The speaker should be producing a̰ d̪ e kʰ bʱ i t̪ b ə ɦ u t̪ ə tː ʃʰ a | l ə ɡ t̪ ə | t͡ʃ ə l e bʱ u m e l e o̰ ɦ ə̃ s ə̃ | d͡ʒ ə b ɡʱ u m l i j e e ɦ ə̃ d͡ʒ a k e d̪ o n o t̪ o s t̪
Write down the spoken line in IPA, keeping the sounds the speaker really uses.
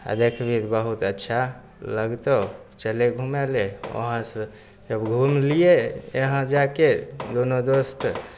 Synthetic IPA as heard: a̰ d̪ e kʰ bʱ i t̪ b ə ɦ u t̪ ə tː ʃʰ a | l ə ɡ t̪ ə | t͡ʃ ə l e ɡʱ u m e l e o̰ ɦ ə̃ s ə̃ | d͡ʒ ə b ɡʱ u m l i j e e ɦ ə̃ d͡ʒ a k e d̪ o n o d̪ o s t̪